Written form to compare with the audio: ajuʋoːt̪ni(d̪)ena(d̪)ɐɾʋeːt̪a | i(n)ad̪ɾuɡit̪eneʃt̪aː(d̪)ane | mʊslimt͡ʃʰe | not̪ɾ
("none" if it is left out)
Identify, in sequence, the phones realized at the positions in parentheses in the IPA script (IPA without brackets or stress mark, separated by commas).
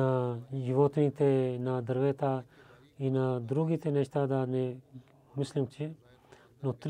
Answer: t̪, d̪, n, d̪